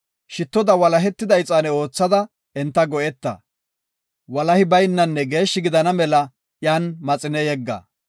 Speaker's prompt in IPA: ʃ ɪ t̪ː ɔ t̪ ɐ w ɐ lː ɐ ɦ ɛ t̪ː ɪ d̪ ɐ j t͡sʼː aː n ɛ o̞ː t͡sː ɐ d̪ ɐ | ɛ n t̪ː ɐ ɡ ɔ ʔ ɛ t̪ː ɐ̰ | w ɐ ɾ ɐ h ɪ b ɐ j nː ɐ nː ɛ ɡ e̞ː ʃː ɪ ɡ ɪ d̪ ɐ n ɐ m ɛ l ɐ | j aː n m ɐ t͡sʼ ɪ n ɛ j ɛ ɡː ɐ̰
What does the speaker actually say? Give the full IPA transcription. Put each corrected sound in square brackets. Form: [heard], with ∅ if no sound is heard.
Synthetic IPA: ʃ ɪ t̪ː ɔ [d̪] ɐ w ɐ [l] ɐ ɦ ɛ t̪ː ɪ d̪ ɐ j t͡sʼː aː n ɛ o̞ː t͡sː ɐ d̪ ɐ | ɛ n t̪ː ɐ ɡ ɔ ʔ ɛ t̪ː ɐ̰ | w ɐ [l] ɐ h ɪ b ɐ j nː ɐ nː ɛ ɡ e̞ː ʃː ɪ ɡ ɪ d̪ ɐ n ɐ m ɛ l ɐ | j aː n m ɐ t͡sʼ ɪ n ɛ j ɛ ɡː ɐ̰